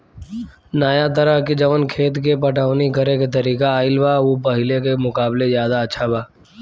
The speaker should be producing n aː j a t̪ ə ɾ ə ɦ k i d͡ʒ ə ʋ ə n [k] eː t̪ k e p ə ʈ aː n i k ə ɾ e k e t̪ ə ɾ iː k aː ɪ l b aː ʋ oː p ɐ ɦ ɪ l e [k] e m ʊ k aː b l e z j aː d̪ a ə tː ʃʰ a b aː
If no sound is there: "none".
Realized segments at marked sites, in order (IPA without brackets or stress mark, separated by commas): kʰ, k